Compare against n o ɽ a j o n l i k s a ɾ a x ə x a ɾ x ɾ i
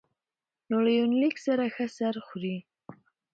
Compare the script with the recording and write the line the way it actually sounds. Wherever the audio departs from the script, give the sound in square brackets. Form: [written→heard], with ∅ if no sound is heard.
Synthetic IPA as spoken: n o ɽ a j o n l i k s a ɾ a x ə [x→s] a ɾ x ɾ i